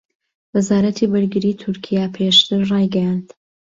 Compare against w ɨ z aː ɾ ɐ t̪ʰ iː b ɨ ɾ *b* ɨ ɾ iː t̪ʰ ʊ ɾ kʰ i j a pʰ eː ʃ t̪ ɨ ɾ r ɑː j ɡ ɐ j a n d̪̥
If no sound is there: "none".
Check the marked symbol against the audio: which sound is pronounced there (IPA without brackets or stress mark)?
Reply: ɡ